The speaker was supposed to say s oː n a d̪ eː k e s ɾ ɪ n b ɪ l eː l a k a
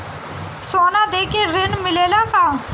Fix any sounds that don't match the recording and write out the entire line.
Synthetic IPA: s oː n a d̪ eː k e ɾ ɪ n m ɪ l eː l a k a